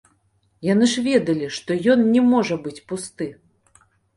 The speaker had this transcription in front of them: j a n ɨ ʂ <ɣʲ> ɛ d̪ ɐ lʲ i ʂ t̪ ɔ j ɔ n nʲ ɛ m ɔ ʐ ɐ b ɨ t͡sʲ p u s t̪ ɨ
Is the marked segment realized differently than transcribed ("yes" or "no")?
yes